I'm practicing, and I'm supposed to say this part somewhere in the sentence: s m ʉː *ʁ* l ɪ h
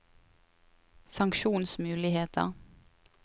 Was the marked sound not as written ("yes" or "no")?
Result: yes